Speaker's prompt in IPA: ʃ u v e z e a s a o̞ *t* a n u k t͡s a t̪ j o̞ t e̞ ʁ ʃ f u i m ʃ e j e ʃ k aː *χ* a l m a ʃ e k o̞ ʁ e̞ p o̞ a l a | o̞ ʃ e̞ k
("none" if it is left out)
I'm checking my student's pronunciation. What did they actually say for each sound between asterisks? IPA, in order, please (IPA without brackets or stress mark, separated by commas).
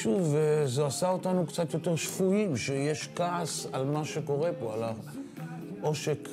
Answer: t, s